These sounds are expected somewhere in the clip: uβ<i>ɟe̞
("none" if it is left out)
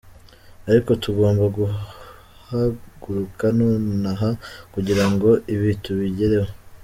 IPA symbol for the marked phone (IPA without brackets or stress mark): i